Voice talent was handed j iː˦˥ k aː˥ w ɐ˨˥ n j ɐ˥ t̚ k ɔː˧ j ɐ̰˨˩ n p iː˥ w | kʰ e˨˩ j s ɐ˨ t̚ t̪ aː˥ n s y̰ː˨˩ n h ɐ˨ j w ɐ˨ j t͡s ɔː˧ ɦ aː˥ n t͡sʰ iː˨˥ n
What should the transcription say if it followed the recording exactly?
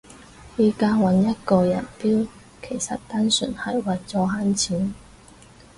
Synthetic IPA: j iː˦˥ k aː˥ w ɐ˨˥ n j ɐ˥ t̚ k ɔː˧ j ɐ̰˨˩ n p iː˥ w | kʰ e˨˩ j s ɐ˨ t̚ t̪ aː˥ n s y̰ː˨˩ n h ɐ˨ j w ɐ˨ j t͡s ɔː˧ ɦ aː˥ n t͡sʰ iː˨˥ n